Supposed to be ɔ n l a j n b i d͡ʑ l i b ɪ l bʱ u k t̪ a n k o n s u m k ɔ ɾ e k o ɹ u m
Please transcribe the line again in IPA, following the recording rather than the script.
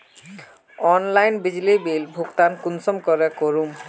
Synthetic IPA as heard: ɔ n l a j n b i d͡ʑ l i b i l bʱ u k t̪ a n k u n s ɔ m k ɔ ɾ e k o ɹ u m